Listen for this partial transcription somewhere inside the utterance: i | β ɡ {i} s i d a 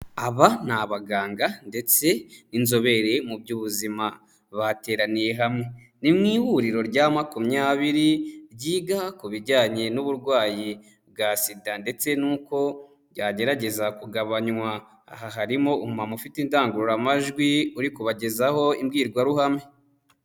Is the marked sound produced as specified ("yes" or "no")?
no